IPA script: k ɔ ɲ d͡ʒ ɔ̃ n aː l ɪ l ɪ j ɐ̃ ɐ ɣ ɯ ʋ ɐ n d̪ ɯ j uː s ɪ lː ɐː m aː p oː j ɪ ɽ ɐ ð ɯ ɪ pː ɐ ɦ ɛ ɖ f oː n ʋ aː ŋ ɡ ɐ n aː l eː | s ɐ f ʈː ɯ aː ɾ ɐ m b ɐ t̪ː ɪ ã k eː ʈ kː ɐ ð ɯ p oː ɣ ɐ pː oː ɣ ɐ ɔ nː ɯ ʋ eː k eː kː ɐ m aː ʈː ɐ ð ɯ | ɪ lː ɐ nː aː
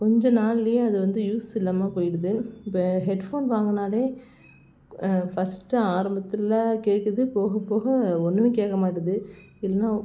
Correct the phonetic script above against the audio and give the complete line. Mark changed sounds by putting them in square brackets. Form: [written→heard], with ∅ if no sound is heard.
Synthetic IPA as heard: k ɔ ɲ d͡ʒ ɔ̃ n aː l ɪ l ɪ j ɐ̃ ɐ [ɣ→ð] ɯ ʋ ɐ n d̪ ɯ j uː s ɪ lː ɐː m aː p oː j ɪ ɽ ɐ ð ɯ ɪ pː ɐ ɦ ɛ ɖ f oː n ʋ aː ŋ ɡ ɐ n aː l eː | [s→f] ɐ [f→s] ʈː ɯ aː ɾ ɐ m b ɐ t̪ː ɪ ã k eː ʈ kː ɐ ð ɯ p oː ɣ ɐ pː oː ɣ ɐ ɔ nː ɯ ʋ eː k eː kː ɐ m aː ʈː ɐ ð ɯ | ɪ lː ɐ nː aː